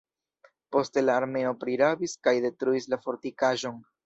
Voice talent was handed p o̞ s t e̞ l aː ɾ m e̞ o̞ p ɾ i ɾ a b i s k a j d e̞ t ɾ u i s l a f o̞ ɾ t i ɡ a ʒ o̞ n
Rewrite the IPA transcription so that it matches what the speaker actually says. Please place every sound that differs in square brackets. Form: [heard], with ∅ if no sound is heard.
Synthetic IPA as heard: p o̞ s t e̞ l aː ɾ m e̞ o̞ p ɾ i ɾ a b i s k a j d e̞ t ɾ u i s l a f o̞ ɾ t i [k] a ʒ o̞ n